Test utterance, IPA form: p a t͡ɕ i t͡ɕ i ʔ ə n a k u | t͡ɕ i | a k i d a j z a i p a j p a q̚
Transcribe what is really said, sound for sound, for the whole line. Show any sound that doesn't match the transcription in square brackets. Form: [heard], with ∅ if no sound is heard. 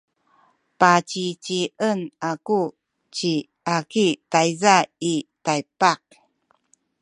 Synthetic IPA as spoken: p a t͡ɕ i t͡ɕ i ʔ ə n a k u | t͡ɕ i | a k i [t] a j z a i [t] a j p a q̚